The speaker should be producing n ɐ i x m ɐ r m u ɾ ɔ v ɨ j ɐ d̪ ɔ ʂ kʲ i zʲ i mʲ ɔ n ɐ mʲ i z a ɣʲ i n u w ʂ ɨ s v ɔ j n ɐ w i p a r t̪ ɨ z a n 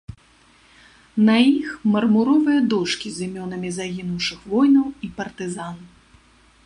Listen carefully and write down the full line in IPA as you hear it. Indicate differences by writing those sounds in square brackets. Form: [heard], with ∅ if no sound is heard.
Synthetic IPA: n ɐ i x m ɐ r m u ɾ ɔ v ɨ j ɐ d̪ ɔ ʂ kʲ i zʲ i mʲ ɔ n ɐ mʲ i z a ɣʲ i n u w ʂ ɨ [x] v ɔ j n ɐ w i p [ɐ] r t̪ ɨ z a n